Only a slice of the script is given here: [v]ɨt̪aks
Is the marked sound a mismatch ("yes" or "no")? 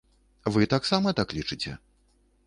no